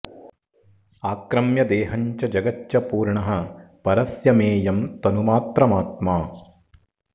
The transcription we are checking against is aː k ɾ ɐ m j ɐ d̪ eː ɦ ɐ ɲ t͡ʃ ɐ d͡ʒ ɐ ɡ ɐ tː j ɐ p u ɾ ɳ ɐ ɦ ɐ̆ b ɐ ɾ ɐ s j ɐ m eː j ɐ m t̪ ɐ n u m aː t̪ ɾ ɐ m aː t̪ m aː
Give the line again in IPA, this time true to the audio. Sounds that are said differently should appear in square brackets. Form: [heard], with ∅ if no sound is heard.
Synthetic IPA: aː k ɾ ɐ m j ɐ d̪ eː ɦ ɐ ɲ t͡ʃ ɐ d͡ʒ ɐ ɡ ɐ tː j ɐ p [uː] ɾ ɳ ɐ ɦ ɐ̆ [p] ɐ ɾ ɐ s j ɐ m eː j ɐ m t̪ ɐ n u m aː t̪ ɾ ɐ m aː t̪ m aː